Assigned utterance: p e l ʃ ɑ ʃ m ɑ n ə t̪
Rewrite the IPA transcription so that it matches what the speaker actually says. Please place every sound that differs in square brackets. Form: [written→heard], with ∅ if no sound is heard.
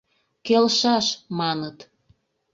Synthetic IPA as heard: [p→k] e l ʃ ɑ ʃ m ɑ n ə t̪